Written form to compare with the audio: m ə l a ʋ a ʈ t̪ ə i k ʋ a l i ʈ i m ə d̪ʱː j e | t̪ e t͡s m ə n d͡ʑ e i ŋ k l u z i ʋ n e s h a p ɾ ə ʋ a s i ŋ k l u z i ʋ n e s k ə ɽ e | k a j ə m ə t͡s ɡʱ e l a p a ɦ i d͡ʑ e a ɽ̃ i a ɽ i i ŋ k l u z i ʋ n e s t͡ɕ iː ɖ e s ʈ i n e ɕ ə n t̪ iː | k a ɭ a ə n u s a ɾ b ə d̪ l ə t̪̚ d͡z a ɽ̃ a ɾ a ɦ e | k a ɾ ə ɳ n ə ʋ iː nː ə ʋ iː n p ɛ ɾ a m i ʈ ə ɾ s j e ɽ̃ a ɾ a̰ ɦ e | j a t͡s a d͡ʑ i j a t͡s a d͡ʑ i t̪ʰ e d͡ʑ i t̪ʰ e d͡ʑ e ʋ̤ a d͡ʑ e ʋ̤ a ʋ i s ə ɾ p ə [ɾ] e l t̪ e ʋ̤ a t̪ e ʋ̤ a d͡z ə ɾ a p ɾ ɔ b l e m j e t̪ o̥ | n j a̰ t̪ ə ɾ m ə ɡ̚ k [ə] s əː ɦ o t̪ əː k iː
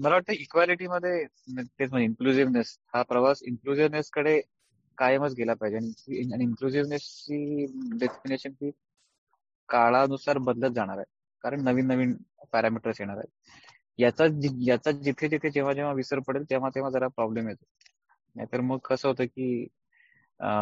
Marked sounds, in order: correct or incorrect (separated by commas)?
incorrect, correct